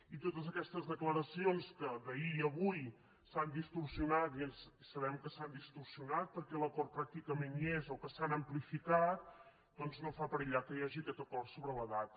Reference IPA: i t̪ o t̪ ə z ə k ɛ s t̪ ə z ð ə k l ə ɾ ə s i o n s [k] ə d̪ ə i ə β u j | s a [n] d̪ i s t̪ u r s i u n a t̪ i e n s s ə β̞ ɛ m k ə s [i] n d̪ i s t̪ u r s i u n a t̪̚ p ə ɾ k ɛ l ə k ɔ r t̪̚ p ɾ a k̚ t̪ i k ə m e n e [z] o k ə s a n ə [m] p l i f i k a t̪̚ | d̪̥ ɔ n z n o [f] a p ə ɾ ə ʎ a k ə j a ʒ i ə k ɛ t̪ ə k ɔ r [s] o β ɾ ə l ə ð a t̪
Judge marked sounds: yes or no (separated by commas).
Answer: yes, yes, no, yes, yes, yes, yes